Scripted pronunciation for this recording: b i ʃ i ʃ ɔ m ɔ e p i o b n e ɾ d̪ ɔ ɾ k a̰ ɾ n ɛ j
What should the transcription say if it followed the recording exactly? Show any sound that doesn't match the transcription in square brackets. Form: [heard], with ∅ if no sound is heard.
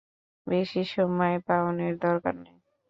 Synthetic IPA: b [e] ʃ i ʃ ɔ m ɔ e p [a] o [∅] n e ɾ d̪ ɔ ɾ k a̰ ɾ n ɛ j